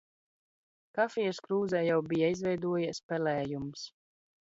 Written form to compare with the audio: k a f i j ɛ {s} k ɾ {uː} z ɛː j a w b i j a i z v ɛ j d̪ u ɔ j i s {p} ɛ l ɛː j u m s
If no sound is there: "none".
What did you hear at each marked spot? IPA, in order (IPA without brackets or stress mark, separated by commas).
s, uː, p